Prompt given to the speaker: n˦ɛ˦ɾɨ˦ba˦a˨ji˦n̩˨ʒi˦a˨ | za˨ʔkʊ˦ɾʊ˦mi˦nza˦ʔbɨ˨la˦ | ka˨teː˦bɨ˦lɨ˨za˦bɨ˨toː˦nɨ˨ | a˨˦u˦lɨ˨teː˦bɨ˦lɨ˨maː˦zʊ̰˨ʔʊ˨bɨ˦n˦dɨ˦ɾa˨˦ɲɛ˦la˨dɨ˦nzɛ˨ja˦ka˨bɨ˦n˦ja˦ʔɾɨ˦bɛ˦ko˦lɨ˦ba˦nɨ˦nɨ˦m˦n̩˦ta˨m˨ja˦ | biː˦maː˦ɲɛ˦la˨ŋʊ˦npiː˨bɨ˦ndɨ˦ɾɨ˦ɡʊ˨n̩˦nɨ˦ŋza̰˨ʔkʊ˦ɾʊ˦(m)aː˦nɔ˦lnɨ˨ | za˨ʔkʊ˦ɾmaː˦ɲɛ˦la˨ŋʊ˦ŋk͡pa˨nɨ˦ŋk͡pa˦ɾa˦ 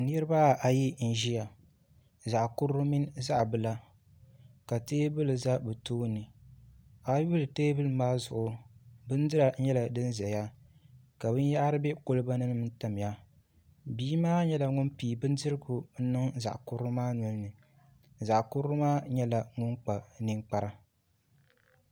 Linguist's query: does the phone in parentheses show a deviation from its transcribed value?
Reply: no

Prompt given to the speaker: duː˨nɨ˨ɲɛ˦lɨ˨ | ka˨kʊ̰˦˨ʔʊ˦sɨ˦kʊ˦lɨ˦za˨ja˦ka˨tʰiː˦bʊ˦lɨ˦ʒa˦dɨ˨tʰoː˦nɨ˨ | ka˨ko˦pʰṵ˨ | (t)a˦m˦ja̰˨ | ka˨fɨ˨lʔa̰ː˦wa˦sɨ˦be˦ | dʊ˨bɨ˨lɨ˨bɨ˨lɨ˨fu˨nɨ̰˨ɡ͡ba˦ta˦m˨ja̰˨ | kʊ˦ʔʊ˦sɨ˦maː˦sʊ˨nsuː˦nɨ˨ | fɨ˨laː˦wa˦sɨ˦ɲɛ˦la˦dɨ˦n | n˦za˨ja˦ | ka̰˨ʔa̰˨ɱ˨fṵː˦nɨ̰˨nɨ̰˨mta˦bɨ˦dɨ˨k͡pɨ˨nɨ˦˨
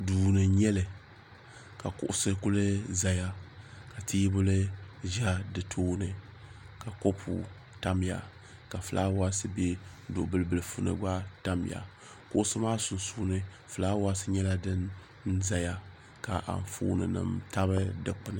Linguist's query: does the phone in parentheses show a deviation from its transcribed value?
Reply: no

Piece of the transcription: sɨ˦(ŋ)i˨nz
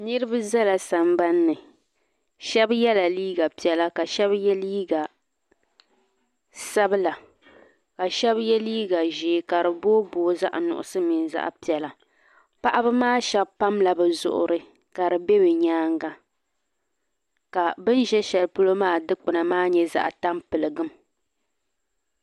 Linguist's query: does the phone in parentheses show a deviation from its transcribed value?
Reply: yes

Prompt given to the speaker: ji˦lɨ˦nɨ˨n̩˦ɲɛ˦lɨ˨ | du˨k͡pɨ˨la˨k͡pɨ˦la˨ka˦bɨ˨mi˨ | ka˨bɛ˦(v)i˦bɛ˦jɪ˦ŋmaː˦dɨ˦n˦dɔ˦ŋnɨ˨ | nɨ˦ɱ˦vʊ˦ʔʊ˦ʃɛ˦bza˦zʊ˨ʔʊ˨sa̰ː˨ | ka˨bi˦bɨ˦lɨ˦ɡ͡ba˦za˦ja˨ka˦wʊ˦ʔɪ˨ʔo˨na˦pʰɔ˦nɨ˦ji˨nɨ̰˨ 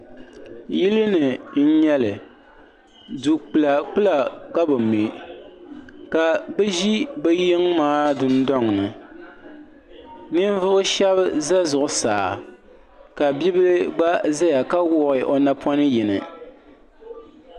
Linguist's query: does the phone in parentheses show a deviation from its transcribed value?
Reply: yes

